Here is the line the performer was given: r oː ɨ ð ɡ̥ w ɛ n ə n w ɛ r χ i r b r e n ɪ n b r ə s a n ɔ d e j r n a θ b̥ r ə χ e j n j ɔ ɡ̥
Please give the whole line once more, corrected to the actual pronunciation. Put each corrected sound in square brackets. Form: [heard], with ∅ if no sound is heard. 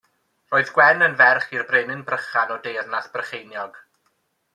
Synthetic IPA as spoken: r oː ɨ ð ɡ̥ w ɛ n ə n [v] ɛ r χ i r b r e n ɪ n b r ə [χ] a n ɔ d e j r n a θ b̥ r ə χ e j n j ɔ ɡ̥